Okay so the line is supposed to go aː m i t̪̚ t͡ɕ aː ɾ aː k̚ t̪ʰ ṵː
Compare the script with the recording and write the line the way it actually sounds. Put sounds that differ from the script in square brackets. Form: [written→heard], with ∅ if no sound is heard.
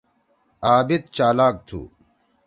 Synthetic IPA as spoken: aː [m→b] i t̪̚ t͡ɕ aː [ɾ→l] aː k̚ t̪ʰ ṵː